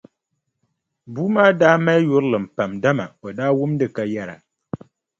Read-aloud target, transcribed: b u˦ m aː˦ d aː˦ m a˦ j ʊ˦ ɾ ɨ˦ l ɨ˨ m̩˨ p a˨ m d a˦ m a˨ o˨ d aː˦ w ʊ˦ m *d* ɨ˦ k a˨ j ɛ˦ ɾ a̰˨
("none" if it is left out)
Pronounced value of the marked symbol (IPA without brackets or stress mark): d